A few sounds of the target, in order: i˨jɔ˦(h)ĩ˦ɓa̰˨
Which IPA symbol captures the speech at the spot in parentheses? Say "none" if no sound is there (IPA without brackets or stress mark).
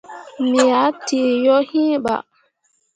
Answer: h